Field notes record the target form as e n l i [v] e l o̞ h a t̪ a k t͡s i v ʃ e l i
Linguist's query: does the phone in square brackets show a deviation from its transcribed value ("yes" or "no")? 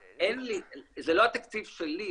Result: yes